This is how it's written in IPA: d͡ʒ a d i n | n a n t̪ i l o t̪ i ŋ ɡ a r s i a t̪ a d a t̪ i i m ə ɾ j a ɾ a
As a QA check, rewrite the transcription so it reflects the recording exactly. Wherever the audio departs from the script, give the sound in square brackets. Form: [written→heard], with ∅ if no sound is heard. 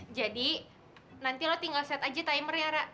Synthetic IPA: d͡ʒ a d i [n→∅] | n a n t̪ i l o t̪ i ŋ ɡ a [r→l] s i a t̪ a [d→d͡ʒ] a t̪ [i→a] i m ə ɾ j a ɾ a